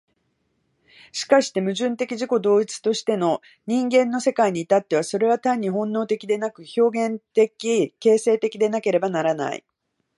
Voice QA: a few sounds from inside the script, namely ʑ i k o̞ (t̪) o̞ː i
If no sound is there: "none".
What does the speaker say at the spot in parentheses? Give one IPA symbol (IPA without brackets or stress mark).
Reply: d̪